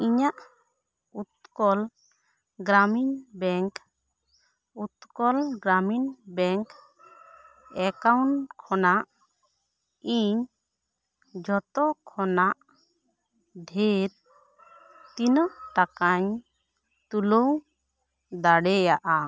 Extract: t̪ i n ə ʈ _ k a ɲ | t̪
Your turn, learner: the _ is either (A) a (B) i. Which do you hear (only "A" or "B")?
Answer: A